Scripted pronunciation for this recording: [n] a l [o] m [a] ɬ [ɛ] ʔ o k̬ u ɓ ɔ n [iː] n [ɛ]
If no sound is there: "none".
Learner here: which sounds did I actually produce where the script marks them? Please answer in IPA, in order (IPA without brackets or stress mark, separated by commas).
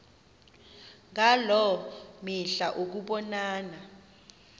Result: ŋ, ɔ, i, a, aː, a